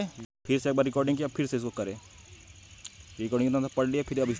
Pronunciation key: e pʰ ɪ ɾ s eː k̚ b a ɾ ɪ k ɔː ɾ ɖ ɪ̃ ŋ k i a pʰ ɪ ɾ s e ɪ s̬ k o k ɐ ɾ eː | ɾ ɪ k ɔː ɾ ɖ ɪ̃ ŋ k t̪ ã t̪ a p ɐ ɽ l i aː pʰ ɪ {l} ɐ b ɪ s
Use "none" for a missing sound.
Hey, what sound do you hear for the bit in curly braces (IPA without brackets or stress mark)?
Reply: ɾ